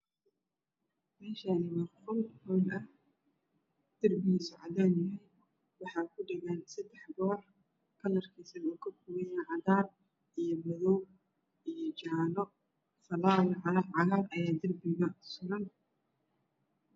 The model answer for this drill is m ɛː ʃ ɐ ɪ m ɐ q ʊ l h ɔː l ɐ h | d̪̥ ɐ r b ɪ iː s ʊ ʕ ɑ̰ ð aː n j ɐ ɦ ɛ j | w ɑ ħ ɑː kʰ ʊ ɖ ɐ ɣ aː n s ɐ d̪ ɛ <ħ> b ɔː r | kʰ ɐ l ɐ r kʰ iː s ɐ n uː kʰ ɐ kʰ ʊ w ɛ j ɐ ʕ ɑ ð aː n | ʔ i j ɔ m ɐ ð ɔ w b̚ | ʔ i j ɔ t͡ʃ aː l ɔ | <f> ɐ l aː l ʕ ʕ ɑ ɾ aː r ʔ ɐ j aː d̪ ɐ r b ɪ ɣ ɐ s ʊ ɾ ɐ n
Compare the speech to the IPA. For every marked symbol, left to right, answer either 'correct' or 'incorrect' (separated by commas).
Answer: correct, correct